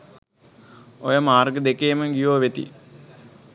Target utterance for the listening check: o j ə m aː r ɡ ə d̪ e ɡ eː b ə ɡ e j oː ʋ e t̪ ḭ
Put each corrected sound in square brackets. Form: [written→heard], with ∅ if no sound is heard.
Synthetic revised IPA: o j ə m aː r ɡ ə d̪ e [ɡ→k] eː [b→m] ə ɡ [e→i] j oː ʋ e t̪ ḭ